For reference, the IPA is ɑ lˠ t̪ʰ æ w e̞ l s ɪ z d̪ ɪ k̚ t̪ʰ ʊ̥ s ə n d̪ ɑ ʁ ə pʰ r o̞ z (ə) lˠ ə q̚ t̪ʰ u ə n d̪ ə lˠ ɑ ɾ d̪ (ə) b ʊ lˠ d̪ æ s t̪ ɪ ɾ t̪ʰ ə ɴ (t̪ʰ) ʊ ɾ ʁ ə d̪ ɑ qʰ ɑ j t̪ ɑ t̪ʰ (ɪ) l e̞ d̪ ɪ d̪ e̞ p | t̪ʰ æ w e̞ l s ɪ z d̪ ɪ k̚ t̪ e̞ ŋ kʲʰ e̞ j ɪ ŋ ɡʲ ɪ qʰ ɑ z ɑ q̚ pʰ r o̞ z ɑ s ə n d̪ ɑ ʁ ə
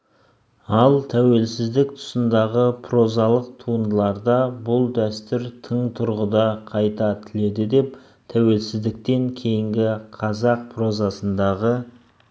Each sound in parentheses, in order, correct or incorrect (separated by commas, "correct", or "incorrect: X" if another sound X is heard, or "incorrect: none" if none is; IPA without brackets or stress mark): incorrect: ɑ, incorrect: ɑ, correct, correct